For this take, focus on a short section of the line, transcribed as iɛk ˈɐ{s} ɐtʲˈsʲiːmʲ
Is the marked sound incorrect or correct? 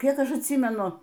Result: incorrect